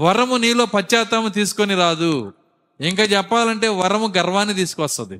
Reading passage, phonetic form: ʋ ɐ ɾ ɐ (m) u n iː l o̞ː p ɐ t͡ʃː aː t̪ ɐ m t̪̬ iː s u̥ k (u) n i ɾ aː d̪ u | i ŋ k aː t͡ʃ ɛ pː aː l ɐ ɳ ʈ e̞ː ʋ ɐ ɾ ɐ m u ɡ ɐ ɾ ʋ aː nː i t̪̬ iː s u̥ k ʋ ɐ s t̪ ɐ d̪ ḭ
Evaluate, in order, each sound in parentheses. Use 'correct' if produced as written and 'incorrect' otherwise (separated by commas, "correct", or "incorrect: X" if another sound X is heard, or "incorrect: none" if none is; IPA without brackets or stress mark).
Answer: correct, incorrect: o